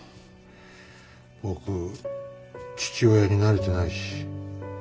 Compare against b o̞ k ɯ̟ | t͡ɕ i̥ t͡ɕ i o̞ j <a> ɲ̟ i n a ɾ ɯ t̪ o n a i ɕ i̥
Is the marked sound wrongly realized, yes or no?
no